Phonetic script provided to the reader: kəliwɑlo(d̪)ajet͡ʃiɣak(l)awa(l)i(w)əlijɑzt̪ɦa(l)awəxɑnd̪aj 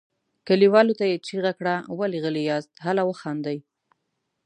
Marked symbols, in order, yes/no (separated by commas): no, no, yes, no, yes